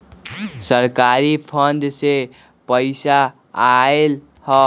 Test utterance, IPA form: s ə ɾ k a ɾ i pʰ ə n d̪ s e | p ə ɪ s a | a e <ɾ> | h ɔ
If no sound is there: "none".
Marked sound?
l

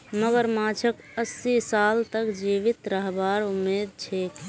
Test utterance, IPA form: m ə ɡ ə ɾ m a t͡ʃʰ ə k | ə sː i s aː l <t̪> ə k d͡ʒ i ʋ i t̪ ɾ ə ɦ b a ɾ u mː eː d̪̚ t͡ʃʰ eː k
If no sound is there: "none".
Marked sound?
t̪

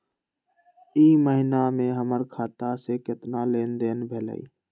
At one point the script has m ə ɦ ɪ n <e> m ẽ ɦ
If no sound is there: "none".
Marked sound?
a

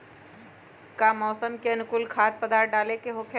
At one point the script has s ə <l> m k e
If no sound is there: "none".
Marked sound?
none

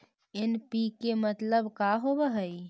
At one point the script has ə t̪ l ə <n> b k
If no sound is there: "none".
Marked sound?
none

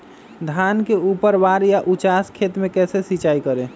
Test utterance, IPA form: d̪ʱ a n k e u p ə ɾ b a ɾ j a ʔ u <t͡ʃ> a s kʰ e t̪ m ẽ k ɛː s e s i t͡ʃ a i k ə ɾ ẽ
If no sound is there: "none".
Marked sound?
t͡ʃ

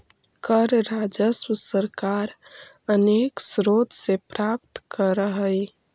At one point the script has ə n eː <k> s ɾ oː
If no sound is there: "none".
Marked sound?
k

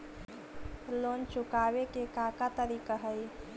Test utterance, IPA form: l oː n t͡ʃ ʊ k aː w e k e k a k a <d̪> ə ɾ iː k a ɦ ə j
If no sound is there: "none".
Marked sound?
t̪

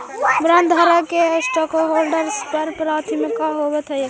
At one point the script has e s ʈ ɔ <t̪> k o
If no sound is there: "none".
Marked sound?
none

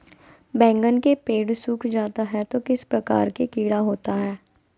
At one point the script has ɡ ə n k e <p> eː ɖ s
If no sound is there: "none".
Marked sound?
p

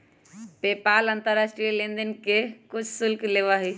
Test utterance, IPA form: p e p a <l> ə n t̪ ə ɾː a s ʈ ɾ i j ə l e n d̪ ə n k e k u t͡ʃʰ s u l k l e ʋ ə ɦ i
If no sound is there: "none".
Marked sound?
l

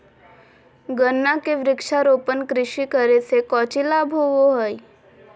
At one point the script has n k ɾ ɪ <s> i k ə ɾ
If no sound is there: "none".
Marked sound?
ʃ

